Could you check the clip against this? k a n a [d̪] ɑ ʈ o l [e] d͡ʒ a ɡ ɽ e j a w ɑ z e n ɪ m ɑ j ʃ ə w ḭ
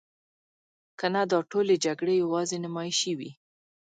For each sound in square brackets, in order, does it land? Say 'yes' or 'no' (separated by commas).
yes, yes